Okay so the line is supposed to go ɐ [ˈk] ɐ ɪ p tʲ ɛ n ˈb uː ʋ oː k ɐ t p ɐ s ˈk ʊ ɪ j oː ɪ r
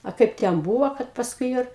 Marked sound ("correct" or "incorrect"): correct